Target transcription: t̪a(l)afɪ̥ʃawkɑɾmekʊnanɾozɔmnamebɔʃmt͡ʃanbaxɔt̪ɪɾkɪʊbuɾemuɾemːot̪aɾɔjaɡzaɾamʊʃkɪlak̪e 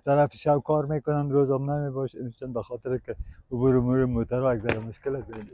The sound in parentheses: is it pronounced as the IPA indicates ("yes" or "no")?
no